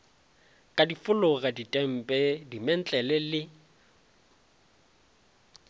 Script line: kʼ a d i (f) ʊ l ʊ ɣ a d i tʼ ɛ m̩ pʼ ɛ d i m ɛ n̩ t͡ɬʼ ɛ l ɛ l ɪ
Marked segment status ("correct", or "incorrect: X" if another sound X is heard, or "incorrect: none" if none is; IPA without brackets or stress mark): correct